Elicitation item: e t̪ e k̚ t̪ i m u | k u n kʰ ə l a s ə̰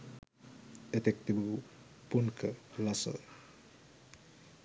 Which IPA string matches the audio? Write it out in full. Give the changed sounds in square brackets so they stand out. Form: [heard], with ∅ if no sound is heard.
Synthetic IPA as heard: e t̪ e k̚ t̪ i [b] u | [p] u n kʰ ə l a s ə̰